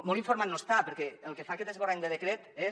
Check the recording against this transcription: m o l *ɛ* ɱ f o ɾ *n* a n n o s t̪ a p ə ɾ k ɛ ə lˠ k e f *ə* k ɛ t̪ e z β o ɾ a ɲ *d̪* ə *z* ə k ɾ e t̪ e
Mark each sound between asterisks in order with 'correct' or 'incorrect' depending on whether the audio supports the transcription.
incorrect: i, incorrect: m, incorrect: a, correct, incorrect: ð

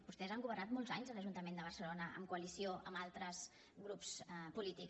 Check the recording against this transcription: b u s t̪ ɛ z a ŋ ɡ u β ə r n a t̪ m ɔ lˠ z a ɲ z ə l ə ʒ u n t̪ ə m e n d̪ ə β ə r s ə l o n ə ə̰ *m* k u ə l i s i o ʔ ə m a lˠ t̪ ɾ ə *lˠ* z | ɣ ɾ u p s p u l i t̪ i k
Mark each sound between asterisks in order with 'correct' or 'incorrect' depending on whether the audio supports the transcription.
correct, incorrect: none

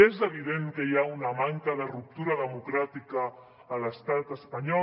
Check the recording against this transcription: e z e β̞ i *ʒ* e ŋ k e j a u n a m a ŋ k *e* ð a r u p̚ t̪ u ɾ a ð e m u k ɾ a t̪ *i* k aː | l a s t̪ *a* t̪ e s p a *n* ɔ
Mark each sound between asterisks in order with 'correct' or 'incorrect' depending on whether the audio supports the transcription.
incorrect: ð, incorrect: a, correct, correct, incorrect: ɲ

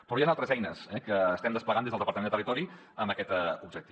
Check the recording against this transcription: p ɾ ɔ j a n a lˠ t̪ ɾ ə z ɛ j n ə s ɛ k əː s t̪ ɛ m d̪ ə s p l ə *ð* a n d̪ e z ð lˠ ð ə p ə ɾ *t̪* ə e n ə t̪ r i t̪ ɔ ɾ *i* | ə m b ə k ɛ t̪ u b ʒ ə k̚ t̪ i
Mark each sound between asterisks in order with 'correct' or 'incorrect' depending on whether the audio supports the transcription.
incorrect: ɣ, correct, correct

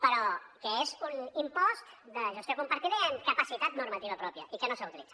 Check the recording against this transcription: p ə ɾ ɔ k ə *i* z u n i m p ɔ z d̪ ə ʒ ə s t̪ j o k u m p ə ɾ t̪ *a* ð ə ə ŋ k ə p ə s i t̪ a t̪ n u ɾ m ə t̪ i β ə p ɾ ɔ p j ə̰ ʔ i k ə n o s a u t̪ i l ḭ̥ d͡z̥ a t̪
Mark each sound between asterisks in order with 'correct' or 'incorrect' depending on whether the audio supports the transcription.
incorrect: e, incorrect: i

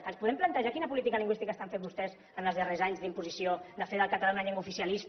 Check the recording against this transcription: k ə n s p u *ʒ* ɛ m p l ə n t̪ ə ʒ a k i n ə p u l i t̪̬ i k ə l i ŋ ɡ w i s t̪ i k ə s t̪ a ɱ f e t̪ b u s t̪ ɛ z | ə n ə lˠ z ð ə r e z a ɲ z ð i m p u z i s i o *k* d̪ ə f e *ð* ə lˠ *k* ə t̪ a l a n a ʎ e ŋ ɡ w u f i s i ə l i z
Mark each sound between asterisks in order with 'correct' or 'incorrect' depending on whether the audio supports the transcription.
incorrect: ð, incorrect: none, correct, correct

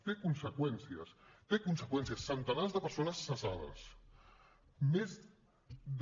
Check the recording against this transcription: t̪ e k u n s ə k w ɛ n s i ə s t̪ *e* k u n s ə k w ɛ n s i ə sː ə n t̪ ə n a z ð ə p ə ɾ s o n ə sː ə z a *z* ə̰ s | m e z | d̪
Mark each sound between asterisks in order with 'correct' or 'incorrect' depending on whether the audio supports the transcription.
correct, incorrect: ð

